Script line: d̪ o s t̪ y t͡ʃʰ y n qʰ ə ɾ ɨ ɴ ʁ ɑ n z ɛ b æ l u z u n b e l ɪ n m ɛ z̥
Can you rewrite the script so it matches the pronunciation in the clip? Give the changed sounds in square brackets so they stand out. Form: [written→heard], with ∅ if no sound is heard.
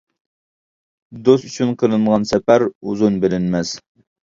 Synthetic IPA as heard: d̪ o s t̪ y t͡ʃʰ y n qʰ ə ɾ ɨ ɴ ʁ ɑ n [z→s] ɛ [b→p] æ [l→ɾ] u z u n b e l ɪ n m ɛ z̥